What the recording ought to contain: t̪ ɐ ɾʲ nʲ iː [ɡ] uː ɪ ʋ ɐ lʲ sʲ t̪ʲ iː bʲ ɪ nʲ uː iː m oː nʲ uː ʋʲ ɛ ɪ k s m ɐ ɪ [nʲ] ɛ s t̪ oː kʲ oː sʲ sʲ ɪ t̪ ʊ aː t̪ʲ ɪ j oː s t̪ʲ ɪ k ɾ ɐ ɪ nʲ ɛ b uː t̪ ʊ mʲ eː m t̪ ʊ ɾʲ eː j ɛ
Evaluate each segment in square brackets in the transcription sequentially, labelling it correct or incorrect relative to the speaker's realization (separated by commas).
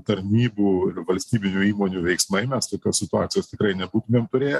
incorrect, incorrect